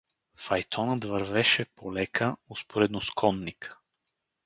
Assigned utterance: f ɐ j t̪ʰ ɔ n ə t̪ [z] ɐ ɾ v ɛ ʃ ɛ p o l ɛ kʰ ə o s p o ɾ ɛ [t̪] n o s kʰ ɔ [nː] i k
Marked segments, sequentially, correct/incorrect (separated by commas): incorrect, incorrect, correct